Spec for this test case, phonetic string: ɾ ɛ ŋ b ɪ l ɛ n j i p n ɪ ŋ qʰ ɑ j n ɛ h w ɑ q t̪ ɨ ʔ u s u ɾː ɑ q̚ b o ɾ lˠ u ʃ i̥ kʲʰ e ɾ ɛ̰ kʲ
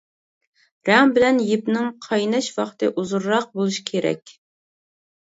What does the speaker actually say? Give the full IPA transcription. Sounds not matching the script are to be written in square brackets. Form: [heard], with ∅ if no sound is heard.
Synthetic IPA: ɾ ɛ ŋ b ɪ l ɛ n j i p n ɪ ŋ qʰ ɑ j n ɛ [ʃ] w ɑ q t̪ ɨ ʔ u [z] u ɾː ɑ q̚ b o [∅] lˠ u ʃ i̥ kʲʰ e ɾ ɛ̰ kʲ